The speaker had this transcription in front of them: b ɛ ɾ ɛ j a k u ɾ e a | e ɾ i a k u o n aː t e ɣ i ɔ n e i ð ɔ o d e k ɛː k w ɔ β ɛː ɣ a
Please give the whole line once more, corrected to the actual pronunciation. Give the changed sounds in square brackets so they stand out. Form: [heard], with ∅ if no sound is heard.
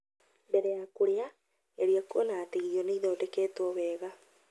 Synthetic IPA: b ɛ ɾ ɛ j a k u ɾ e a | e ɾ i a k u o n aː t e ɣ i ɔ n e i ð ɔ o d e k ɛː [t] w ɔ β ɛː ɣ a